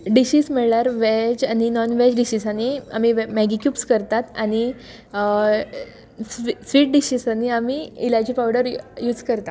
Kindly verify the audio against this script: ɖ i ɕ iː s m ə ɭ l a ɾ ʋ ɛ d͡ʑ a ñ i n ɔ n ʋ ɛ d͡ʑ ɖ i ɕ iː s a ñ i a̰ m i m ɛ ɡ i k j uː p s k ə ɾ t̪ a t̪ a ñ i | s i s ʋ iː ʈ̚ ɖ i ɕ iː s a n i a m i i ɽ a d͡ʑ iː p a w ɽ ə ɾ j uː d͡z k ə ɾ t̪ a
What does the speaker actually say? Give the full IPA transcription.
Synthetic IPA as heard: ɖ i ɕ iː s m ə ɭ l a ɾ ʋ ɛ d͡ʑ a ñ i n ɔ n ʋ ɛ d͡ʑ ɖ i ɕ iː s a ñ i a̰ m i m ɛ ɡ i k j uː p s k ə ɾ t̪ a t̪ a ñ i | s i s ʋ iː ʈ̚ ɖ i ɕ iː s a n i a m i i l a d͡ʑ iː p a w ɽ ə ɾ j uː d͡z k ə ɾ t̪ a